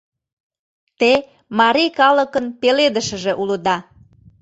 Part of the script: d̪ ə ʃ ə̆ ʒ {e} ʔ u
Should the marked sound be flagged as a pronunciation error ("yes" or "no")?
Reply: no